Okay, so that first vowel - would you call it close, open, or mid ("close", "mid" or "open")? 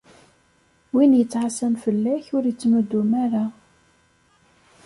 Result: close